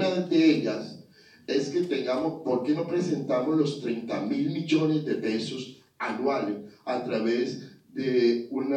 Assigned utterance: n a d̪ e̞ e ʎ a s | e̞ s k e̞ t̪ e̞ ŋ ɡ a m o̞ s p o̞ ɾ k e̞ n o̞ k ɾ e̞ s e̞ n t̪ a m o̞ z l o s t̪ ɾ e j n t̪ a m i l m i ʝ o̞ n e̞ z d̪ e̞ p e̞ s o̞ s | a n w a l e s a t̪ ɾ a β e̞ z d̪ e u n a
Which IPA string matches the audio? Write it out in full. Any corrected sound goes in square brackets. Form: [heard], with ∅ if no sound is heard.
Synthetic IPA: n a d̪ e̞ e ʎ a s | e̞ s k e̞ t̪ e̞ ŋ ɡ a m o̞ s p o̞ ɾ k e̞ n o̞ [p] ɾ e̞ s e̞ n t̪ a m o̞ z l o s t̪ ɾ e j n t̪ a m i l m i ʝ o̞ n e̞ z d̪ e̞ p e̞ s o̞ s | a n w a l e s a t̪ ɾ a β e̞ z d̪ e u n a